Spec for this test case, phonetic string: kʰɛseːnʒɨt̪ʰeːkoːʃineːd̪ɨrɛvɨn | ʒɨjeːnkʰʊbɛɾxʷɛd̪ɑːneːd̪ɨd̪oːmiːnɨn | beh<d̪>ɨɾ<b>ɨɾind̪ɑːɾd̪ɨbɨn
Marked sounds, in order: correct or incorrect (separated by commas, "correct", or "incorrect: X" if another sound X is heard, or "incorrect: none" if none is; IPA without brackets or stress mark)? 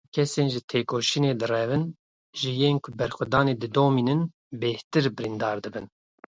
incorrect: t̪, correct